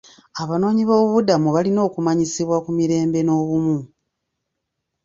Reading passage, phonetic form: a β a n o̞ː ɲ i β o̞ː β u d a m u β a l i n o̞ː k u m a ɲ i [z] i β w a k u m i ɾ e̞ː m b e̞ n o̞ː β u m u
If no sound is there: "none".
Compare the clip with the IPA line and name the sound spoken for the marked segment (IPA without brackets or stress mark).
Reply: s